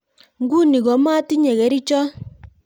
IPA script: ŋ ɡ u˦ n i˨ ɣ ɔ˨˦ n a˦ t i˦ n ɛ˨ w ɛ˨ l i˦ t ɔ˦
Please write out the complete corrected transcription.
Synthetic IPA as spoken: ŋ ɡ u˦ n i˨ ɣ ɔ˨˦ m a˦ t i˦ ɲ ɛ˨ ɣ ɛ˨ ɾ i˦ t͡ʃ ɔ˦